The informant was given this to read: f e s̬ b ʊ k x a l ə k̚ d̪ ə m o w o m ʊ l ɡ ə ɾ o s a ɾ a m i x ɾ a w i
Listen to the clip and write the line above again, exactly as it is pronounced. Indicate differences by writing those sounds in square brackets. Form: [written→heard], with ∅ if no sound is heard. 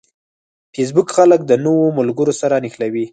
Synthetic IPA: f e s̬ b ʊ k x a l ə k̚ d̪ ə [m→n] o w o m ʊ l ɡ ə ɾ o s a ɾ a [m→n] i x [ɾ→l] a w i